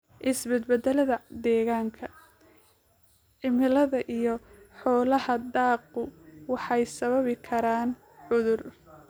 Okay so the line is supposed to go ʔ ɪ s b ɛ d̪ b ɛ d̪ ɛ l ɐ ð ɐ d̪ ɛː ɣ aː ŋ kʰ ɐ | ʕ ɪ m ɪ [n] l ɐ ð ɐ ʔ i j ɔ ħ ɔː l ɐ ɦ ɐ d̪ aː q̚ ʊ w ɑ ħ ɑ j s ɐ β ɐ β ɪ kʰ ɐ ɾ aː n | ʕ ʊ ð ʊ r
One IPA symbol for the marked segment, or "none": none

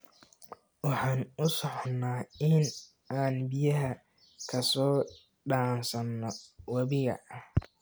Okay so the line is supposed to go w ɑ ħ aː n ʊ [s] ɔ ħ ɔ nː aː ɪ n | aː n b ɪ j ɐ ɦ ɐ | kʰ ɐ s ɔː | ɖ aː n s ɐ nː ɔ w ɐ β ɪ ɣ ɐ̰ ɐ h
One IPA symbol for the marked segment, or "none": s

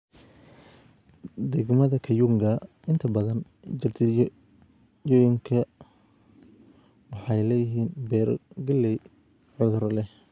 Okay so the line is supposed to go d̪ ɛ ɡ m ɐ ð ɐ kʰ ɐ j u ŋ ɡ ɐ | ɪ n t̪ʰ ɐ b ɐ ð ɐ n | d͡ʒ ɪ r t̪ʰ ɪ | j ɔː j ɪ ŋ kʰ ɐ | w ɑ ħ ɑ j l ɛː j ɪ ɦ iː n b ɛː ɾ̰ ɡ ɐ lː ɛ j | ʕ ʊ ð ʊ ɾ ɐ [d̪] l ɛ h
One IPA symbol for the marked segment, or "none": none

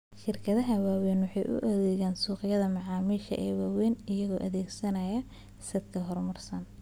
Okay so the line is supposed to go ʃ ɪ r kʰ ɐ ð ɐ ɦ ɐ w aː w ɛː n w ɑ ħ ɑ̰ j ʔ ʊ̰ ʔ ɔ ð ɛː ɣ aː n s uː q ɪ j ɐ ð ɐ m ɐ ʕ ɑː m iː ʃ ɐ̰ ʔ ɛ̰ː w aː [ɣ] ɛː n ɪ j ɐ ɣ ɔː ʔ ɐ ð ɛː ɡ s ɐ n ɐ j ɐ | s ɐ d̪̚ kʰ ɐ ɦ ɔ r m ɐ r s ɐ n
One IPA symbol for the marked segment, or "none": w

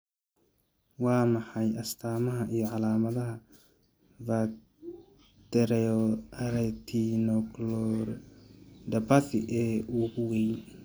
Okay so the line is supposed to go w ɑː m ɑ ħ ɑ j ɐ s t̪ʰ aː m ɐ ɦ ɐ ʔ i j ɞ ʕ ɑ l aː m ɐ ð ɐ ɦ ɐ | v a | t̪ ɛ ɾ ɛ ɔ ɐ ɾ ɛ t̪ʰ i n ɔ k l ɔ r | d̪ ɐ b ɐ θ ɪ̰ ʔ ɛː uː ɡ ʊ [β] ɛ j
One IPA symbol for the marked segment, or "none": w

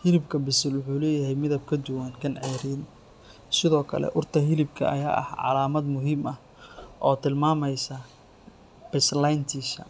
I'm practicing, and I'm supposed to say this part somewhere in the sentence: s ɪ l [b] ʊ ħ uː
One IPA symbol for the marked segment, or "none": w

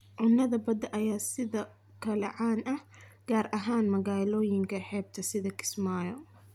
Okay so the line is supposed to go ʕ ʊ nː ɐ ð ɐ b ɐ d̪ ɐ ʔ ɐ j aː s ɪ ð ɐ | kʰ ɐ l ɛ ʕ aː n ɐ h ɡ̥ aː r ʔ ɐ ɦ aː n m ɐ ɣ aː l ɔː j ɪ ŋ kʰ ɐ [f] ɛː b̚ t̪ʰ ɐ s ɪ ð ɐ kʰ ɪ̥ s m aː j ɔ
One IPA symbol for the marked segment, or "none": ħ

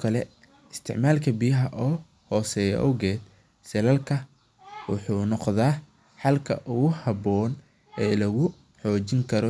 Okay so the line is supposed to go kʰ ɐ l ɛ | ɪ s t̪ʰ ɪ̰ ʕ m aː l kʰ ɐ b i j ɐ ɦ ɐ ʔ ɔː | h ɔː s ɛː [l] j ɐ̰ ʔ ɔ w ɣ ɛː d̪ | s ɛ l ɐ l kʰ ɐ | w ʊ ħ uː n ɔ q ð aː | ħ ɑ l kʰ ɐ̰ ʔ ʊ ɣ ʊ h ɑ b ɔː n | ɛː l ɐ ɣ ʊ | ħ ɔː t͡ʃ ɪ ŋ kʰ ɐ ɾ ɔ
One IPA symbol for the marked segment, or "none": none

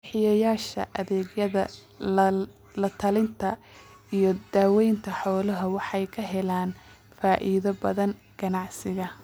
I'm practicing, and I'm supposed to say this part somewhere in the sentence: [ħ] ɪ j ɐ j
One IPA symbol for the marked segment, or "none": ħ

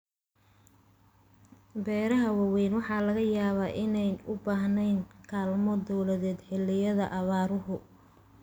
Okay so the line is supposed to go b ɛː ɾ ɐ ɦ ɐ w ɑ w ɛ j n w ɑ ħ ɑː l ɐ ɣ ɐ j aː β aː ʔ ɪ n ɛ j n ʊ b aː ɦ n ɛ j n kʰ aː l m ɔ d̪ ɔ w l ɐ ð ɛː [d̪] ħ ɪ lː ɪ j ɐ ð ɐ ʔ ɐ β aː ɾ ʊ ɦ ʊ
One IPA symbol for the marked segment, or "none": d̪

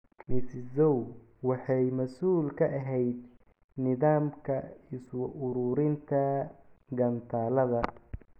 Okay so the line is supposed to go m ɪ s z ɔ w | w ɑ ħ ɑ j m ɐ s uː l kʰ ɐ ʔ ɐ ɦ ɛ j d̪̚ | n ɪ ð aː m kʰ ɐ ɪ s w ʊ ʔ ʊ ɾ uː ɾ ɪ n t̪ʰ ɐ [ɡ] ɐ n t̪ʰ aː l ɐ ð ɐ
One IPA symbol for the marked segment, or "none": ɡ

